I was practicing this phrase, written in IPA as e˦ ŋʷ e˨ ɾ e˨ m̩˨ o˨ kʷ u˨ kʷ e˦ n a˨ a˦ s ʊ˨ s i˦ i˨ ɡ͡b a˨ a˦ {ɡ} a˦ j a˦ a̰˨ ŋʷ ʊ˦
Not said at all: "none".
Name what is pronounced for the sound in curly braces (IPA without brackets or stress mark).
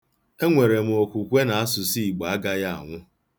ɡ